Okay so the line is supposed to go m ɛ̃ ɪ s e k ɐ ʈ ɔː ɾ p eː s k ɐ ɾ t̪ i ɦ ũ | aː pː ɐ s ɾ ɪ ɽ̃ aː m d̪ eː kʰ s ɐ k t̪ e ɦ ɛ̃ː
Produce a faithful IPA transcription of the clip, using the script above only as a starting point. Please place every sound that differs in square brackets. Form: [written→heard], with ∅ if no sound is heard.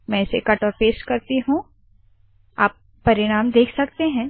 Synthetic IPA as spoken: m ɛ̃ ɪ s e k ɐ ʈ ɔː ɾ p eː s k ɐ ɾ t̪ i ɦ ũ | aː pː ɐ [s→∅] ɾ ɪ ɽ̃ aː m d̪ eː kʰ s ɐ k t̪ e ɦ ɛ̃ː